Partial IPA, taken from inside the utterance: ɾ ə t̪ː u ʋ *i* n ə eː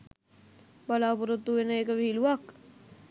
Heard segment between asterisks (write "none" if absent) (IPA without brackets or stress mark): e